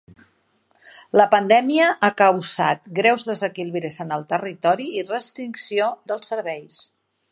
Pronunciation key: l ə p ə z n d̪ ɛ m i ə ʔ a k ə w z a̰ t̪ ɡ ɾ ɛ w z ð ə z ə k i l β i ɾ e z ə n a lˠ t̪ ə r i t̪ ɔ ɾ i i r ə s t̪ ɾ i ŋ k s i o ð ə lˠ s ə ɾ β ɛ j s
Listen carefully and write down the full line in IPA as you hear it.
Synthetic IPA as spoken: l ə p ə n d̪ ɛ m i ə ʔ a k ə w z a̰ t̪ ɡ ɾ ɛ w z ð ə z ə k i l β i ɾ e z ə n ə lˠ t̪ ə r i t̪ ɔ ɾ i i r ə s t̪ ɾ i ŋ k s i o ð ə lˠ s ə ɾ β ɛ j s